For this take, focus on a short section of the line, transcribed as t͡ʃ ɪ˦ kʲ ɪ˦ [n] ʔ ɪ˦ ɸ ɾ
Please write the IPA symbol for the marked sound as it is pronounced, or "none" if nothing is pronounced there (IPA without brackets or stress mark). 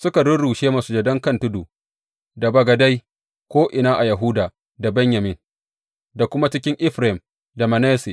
ŋ